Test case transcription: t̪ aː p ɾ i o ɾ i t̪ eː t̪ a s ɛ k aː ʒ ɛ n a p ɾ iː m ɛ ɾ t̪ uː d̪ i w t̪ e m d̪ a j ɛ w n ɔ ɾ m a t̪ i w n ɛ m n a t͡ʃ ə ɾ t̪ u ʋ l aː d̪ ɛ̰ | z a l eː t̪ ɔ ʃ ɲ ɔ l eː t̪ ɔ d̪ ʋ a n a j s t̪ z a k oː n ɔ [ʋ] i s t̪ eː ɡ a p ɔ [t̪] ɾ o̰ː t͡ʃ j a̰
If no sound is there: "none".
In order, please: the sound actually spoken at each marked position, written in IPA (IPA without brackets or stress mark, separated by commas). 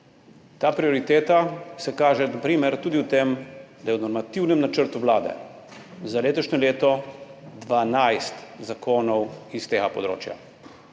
w, d̪